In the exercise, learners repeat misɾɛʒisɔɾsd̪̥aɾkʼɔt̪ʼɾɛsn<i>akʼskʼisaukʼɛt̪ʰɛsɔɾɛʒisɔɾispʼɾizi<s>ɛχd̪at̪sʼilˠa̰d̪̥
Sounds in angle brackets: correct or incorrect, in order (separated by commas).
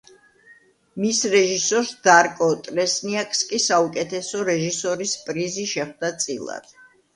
correct, incorrect